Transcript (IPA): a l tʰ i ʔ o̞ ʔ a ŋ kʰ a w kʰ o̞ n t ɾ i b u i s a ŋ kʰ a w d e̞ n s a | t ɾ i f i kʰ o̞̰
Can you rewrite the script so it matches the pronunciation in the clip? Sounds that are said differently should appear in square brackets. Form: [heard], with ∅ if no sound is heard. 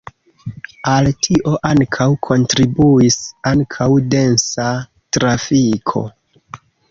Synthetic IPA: a l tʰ i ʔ o̞ ʔ a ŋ kʰ a w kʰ o̞ n t ɾ i b u i s a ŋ kʰ a w d e̞ n s a | t ɾ [a] f i kʰ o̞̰